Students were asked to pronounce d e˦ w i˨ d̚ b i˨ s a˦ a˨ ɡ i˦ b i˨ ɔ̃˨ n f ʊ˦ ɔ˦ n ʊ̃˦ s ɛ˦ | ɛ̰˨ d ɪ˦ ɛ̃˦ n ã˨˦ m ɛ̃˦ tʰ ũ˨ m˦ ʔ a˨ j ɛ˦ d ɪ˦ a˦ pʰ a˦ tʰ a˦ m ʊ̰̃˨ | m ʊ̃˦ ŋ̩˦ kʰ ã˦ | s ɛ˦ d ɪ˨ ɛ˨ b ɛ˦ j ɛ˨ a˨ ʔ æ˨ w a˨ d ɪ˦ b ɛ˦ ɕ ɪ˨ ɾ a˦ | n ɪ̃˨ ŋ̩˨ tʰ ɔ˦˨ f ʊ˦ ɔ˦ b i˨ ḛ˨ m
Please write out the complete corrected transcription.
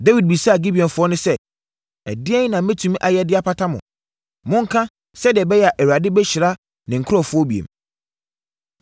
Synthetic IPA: d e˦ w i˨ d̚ b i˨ s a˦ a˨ ɡ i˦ b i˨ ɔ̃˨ n f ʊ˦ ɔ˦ n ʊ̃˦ s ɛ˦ | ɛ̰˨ d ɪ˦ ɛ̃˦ n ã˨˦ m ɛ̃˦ tʰ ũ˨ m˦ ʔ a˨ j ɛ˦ d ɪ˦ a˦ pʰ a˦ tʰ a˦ m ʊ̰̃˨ | m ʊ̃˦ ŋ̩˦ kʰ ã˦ | s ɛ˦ d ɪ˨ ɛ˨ b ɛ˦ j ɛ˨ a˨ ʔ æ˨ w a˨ d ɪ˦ b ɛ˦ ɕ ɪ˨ ɾ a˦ | n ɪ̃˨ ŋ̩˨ kʰ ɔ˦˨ f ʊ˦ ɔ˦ b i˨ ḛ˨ m